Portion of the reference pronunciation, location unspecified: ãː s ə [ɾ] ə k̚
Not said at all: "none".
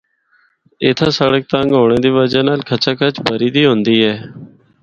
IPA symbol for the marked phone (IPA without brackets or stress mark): ɽ